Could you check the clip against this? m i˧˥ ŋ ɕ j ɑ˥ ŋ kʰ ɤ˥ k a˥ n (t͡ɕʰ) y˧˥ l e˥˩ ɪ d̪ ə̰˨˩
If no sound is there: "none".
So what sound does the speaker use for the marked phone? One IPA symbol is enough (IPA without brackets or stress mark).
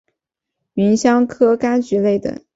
t͡ɕ